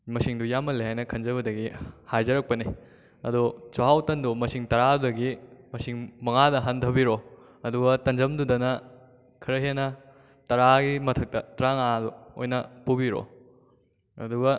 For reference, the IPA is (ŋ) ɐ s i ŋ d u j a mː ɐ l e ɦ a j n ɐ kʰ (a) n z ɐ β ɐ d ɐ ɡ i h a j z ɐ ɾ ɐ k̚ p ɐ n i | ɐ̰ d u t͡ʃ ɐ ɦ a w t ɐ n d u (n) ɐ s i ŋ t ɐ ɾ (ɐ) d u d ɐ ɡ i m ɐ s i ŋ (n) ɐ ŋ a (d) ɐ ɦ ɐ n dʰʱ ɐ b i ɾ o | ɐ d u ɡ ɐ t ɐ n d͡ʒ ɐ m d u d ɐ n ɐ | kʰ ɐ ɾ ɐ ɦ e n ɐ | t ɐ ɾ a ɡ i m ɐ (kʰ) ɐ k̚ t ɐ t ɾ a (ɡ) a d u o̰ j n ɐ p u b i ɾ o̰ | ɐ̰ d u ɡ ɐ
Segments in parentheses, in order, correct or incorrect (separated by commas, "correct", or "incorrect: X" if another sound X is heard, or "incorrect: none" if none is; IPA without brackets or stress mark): incorrect: m, incorrect: ɐ, incorrect: m, incorrect: a, incorrect: m, correct, incorrect: tʰ, incorrect: ŋ